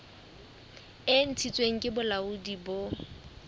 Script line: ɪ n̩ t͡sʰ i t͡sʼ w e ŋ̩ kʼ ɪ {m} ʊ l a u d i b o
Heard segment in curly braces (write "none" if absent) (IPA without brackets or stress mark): b